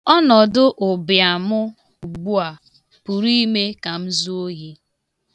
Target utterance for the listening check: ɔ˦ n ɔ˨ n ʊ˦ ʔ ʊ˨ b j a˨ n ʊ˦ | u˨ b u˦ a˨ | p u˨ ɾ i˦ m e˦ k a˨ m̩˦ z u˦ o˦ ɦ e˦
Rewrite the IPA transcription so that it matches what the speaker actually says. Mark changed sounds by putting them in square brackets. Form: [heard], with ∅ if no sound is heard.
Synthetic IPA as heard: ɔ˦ n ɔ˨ [d] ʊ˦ ʔ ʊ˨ b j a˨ [m] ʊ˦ | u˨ [ɡ͡b] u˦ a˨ | p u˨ ɾ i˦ m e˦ k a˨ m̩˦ z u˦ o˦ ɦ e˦

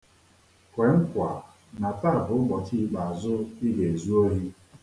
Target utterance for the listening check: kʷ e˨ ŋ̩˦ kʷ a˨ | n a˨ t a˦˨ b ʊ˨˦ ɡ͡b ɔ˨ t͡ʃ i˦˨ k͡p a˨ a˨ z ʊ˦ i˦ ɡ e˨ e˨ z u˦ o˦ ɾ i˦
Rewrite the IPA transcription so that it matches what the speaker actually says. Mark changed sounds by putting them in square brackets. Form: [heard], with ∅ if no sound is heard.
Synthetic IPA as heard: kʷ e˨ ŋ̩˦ kʷ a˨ | n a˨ t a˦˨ b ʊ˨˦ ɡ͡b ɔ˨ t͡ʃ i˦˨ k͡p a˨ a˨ z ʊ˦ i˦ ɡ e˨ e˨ z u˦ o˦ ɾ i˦

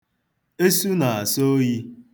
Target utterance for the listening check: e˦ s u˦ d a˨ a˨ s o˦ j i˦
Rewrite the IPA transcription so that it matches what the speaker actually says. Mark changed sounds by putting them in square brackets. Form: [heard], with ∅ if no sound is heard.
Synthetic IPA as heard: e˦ s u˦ [n] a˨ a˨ s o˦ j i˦

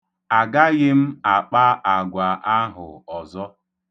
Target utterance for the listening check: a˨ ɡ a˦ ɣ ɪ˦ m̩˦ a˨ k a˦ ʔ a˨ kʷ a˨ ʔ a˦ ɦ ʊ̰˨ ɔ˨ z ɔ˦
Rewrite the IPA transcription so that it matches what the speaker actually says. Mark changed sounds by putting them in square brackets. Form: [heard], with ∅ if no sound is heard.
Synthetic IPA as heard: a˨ ɡ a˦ ɣ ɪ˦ m̩˦ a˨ [k͡p] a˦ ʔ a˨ [ɡʷ] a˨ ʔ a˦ ɦ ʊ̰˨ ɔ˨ z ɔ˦

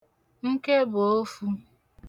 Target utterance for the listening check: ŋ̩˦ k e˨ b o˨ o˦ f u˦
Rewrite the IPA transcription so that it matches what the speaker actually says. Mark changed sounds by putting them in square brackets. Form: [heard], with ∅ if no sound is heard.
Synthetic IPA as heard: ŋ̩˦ k [e˦] b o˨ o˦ f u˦

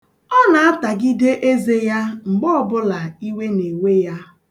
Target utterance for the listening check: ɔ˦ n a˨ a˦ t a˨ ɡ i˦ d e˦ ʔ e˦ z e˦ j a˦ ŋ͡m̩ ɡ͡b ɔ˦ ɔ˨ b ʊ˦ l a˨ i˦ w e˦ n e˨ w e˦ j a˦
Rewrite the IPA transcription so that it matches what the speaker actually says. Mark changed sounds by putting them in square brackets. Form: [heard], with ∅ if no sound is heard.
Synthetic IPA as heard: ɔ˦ n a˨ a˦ t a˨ ɡ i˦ d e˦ ʔ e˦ z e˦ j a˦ ŋ͡m̩ ɡ͡b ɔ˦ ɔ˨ b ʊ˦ l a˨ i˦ w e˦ n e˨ w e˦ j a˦

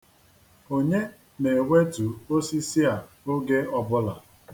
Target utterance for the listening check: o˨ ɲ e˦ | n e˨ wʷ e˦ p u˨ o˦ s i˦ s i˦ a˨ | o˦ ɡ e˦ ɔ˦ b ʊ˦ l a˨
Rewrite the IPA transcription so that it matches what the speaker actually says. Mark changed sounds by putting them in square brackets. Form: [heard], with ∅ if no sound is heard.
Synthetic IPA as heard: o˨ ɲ e˦ | n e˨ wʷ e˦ [t] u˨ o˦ s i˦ s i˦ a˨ | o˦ ɡ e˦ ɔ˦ b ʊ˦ l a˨

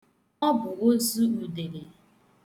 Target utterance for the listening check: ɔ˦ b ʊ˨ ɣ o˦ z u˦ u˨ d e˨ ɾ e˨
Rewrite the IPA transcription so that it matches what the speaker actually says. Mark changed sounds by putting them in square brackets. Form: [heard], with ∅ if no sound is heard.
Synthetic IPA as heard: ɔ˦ b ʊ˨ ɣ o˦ z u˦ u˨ d e˨ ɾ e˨

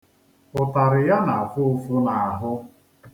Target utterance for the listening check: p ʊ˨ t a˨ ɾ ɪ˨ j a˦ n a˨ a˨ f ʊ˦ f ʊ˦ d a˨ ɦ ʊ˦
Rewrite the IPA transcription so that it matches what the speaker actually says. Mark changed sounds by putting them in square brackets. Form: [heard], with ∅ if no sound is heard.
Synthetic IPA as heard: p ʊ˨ t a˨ ɾ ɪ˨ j a˦ n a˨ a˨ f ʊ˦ f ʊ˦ [n] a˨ ɦ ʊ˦

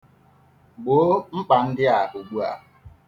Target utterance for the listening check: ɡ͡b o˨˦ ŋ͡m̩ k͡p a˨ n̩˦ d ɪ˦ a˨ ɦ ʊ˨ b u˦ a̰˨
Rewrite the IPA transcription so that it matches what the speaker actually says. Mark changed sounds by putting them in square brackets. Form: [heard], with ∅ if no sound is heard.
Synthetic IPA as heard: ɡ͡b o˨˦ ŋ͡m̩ k͡p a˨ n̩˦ d ɪ˦ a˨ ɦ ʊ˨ [ɡ͡b] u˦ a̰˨

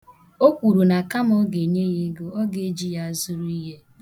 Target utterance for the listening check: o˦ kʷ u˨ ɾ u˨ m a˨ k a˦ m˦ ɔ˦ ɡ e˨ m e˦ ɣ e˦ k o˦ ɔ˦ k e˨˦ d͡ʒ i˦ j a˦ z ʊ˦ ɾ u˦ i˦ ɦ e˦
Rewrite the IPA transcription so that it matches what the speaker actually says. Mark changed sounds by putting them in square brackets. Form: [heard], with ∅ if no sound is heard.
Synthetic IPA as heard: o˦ kʷ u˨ ɾ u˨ [n] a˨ k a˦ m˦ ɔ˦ ɡ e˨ [ɲ] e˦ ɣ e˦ [ɡ] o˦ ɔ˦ [ɡ] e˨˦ d͡ʒ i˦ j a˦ z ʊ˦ ɾ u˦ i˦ ɦ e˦

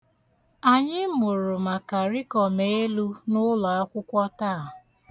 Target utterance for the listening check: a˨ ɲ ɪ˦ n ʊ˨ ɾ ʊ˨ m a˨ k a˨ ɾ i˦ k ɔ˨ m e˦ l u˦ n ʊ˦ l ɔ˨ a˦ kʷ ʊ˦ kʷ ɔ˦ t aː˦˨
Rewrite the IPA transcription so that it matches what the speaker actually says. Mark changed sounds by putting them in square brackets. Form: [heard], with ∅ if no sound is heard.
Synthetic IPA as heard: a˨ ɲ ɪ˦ [m] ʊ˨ ɾ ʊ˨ m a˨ k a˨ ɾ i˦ k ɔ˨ m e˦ l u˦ n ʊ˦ l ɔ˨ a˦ kʷ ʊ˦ kʷ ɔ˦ t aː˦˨

